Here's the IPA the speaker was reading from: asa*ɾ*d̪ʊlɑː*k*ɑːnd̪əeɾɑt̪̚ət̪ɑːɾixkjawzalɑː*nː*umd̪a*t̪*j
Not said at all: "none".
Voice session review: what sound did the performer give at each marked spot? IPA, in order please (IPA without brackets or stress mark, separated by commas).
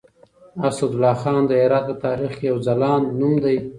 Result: none, x, nː, none